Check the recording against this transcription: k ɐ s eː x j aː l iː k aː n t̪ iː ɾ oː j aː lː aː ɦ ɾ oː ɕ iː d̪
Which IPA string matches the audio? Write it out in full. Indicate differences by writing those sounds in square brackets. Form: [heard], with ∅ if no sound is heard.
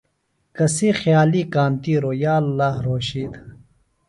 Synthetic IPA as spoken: k ɐ s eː x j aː l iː k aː n t̪ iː ɾ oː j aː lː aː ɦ ɾ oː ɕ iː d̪